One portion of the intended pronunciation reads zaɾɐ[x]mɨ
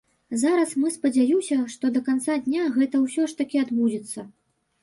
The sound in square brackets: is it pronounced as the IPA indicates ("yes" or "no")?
no